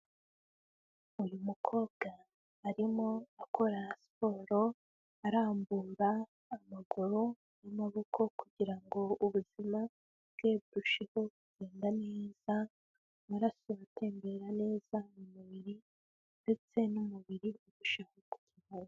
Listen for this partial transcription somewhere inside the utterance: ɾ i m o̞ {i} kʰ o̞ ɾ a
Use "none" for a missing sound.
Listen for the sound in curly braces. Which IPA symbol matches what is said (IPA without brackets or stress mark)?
a